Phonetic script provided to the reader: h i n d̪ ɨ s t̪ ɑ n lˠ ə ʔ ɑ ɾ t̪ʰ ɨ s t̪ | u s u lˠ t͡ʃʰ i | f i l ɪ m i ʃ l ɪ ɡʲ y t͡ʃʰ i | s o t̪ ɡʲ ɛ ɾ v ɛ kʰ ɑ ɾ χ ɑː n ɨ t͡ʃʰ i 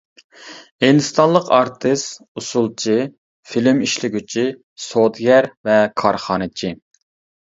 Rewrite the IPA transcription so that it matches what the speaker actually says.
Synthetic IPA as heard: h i n d̪ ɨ s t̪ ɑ n lˠ ə q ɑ ɾ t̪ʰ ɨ s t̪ | u s u lˠ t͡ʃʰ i | f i l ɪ m i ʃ l ɪ ɡʲ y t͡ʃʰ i | s o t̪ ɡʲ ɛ ɾ v ɛ kʰ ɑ ɾ χ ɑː n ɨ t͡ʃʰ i